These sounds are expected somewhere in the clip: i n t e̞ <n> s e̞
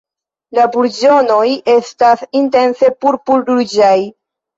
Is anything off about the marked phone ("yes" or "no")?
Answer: no